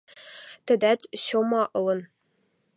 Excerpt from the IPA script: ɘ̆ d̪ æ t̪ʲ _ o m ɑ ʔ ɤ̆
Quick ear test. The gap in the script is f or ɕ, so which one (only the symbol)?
ɕ